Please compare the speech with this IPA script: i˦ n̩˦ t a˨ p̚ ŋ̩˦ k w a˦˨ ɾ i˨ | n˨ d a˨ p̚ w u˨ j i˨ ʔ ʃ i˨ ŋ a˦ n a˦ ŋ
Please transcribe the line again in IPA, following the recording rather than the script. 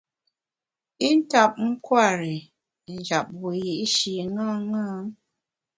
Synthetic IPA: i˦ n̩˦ t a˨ p̚ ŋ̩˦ k w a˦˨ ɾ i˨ | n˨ d͡ʒ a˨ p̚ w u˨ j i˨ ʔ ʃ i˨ ŋ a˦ ŋ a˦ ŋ